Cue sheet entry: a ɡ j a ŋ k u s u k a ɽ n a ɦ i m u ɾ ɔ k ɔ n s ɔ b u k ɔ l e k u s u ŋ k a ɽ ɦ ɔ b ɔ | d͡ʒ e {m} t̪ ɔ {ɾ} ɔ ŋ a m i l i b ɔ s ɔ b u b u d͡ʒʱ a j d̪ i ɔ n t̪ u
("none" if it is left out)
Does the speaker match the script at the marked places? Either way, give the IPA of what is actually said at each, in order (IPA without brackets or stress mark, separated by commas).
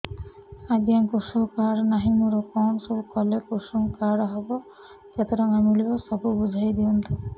none, ɾ